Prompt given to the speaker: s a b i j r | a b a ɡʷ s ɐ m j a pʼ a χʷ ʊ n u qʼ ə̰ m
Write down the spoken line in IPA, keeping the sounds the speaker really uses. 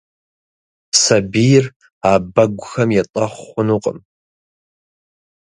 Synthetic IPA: s a b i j r | a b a ɡʷ x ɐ m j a tʼ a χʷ ʊ n u qʼ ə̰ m